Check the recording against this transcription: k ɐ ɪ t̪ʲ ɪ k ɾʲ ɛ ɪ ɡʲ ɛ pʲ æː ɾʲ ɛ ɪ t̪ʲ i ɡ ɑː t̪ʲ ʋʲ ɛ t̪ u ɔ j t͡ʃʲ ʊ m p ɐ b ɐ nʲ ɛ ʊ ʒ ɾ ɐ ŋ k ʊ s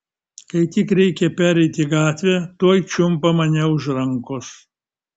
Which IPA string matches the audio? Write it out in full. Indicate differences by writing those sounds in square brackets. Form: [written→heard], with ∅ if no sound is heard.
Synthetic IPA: k ɐ ɪ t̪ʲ ɪ k ɾʲ ɛ ɪ [ɡʲ→kʲ] ɛ pʲ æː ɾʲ ɛ ɪ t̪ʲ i ɡ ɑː t̪ʲ ʋʲ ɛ t̪ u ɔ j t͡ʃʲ ʊ m p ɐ [b→m] ɐ nʲ ɛ ʊ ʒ ɾ ɐ ŋ k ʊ s